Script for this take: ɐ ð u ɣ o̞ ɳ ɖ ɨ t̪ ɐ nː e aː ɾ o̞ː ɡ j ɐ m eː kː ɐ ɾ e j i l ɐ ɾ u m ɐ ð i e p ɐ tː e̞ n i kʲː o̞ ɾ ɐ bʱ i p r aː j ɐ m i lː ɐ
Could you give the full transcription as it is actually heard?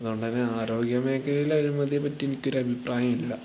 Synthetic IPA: ɐ ð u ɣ o̞ ɳ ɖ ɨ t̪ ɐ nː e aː ɾ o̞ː ɡ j ɐ m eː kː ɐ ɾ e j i l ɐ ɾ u m ɐ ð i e p ɐ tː e̞ n i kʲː o̞ ɾ ɐ bʱ i p r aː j ɐ m i lː ɐ